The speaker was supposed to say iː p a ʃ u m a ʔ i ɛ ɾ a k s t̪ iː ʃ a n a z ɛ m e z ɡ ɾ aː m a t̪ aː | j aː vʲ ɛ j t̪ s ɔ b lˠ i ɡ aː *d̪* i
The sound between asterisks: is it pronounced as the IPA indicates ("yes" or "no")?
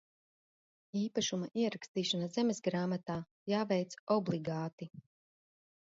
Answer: no